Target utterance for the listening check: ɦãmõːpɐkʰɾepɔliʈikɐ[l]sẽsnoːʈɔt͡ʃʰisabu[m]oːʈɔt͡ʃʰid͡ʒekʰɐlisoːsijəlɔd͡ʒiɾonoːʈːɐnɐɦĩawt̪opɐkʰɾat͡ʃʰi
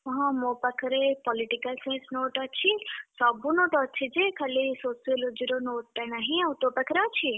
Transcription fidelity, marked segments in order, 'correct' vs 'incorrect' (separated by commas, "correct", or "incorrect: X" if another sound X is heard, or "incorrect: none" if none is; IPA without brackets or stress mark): correct, incorrect: n